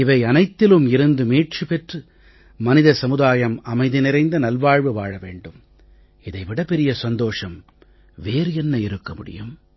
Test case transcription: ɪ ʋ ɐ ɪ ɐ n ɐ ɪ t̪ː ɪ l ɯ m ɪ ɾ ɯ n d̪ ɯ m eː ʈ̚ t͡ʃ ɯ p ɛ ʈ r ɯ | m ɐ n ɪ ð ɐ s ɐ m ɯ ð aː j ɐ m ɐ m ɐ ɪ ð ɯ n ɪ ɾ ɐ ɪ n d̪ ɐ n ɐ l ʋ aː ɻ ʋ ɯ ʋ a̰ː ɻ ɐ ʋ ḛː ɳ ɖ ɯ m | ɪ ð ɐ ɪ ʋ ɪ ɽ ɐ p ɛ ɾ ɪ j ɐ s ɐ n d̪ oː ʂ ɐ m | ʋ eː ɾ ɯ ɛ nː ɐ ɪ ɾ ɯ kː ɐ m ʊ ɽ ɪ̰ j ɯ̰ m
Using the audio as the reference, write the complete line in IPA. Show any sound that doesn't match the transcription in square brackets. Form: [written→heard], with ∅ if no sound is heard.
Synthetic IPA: ɪ ʋ ɐ ɪ ɐ n ɐ ɪ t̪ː ɪ l ɯ m ɪ ɾ ɯ n d̪ ɯ m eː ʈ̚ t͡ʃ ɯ p ɛ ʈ r ɯ | m ɐ n ɪ ð ɐ s ɐ m ɯ ð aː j ɐ m ɐ m ɐ ɪ ð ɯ n ɪ ɾ ɐ ɪ n d̪ ɐ n ɐ l ʋ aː ɻ ʋ ɯ ʋ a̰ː ɻ ɐ ʋ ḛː ɳ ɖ ɯ m | ɪ ð ɐ ɪ ʋ ɪ ɽ ɐ p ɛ ɾ ɪ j ɐ s ɐ n d̪ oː ʂ ɐ m | ʋ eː ɾ ɯ ɛ nː ɐ ɪ ɾ ɯ kː ɐ m ʊ ɽ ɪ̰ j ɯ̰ m